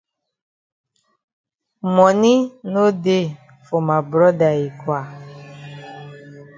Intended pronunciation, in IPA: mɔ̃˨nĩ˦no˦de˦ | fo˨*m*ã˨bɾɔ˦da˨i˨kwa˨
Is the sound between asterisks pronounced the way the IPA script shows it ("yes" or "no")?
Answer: yes